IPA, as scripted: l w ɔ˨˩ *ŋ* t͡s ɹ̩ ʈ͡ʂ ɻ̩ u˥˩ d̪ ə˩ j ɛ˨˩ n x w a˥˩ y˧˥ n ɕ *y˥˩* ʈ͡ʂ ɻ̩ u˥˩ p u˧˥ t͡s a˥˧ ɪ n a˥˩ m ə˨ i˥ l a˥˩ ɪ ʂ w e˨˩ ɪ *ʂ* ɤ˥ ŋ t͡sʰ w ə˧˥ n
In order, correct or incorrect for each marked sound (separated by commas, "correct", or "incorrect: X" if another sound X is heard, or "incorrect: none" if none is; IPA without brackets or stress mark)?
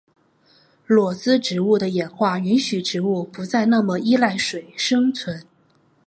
incorrect: none, incorrect: y˨˩, correct